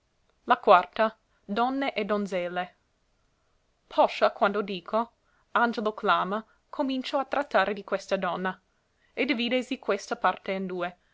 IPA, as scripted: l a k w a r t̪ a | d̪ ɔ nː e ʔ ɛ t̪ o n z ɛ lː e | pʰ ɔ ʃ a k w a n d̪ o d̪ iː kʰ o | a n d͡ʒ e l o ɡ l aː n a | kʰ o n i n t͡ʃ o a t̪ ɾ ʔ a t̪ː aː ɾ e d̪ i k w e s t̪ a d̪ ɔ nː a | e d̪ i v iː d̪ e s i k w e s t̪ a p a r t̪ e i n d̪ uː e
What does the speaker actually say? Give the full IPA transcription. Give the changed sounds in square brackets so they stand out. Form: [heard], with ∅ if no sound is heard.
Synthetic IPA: l a k w a r t̪ a | d̪ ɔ nː e ʔ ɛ [d̪] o n z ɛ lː e | pʰ ɔ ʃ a k w a n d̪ o d̪ iː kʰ o | a n d͡ʒ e l o [k] l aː [m] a | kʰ o [m] i n t͡ʃ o a t̪ ɾ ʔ a t̪ː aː ɾ e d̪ i k w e s t̪ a d̪ ɔ nː a | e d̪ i v iː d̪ e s i k w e s t̪ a p a r t̪ e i n d̪ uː e